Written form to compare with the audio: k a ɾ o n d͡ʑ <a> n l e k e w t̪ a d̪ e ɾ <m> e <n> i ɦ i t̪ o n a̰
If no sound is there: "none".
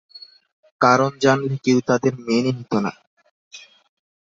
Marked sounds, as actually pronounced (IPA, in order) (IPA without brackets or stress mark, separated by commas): a, m, n